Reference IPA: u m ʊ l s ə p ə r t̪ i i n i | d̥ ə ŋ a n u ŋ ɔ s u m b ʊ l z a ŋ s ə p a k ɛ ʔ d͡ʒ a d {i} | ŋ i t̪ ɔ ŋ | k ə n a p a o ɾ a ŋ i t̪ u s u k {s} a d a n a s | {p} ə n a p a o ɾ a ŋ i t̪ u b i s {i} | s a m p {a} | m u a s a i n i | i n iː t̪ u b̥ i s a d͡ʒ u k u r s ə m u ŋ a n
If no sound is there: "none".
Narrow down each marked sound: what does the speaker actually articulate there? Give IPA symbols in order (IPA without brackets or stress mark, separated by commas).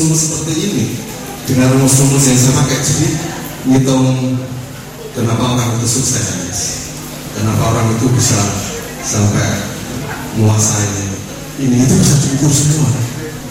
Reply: i, s, k, a, ɛ